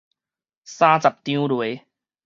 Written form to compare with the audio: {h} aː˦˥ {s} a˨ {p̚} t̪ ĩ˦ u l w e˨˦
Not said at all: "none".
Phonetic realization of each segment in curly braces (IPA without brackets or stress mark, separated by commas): s, t͡s, p̚